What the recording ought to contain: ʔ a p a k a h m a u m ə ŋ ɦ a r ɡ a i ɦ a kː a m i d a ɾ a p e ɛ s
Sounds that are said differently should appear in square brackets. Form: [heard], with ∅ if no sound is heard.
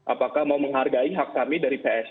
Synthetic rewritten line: ʔ a p a k a h m a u m ə ŋ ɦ a r ɡ a i ɦ a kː a m i d a ɾ [i] p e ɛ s